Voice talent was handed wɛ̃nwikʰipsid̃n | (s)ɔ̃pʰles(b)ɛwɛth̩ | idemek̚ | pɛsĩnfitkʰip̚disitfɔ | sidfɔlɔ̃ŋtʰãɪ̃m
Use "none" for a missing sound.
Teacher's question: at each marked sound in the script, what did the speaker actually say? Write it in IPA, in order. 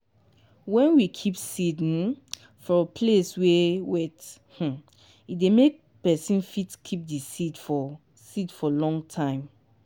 f, w

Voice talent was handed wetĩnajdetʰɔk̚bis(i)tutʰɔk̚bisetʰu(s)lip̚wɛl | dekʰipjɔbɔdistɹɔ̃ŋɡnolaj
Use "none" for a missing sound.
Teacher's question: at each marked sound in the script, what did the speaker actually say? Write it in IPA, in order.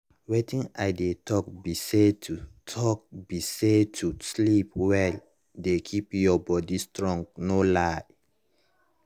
e, s

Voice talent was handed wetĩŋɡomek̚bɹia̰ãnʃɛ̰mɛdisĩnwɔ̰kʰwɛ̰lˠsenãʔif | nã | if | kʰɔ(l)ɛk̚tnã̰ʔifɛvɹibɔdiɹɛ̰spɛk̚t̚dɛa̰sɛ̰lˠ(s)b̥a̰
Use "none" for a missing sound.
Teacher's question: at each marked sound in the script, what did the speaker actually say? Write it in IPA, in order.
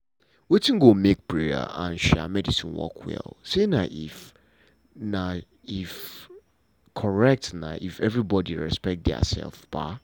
ɹ, f

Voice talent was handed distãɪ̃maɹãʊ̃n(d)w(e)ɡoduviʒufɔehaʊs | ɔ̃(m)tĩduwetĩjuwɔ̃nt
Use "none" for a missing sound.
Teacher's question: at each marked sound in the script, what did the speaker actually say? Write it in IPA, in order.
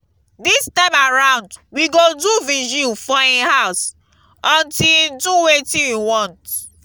d, i, n

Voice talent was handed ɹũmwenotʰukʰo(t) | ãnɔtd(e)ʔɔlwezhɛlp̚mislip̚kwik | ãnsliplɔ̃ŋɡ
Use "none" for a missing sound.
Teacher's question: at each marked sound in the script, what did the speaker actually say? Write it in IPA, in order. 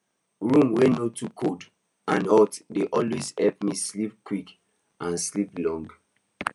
d, e

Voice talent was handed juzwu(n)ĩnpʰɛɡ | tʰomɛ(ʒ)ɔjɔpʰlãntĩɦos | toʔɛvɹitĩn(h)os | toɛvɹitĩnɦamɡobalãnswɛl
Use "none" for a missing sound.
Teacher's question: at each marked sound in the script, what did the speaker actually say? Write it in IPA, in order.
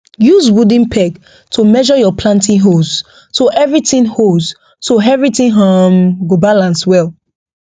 d, ʒ, h

